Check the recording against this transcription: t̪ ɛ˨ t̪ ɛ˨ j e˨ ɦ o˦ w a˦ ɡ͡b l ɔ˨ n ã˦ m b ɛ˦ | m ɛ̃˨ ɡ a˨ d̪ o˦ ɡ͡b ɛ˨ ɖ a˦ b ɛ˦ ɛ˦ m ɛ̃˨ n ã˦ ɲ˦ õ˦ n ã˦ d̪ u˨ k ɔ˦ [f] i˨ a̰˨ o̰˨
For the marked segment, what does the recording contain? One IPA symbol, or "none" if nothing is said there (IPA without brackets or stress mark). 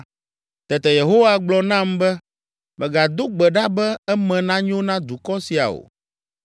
s